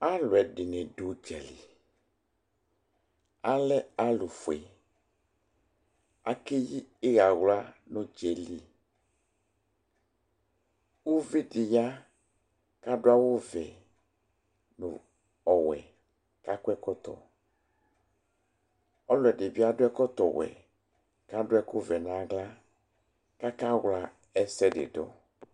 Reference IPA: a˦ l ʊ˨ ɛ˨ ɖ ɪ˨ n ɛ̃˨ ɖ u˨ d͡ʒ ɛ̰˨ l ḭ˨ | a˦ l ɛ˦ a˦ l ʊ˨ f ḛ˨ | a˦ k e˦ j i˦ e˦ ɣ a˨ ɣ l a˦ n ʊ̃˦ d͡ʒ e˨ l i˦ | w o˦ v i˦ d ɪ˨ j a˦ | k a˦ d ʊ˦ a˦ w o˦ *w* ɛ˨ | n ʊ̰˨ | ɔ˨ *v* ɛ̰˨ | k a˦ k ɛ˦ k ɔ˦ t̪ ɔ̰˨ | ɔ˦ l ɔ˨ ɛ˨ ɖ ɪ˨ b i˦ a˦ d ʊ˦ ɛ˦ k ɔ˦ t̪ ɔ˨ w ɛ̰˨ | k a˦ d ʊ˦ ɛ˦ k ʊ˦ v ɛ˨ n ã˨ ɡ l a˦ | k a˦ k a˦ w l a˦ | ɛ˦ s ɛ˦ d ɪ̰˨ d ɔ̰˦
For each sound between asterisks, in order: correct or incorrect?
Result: incorrect, incorrect

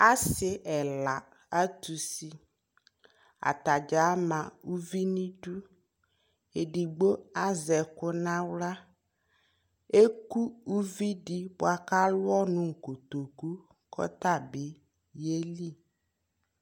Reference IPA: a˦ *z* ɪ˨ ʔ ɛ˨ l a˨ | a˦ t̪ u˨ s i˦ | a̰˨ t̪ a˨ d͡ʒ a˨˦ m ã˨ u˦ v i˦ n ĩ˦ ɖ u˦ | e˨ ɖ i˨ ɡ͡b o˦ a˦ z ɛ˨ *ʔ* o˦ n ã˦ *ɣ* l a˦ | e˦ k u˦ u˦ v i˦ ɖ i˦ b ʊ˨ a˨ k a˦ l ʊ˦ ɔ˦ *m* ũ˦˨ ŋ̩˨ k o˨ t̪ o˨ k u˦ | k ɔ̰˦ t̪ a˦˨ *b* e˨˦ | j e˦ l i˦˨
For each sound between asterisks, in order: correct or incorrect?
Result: incorrect, incorrect, incorrect, incorrect, correct

